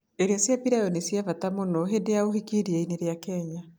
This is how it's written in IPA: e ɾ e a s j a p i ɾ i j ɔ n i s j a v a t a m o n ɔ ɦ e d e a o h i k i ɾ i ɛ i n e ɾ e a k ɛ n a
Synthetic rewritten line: e ɾ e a s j a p i ɾ a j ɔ n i s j a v a t a m o n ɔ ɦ e d e a o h i k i ɾ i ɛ i n e ɾ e a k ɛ ɲ a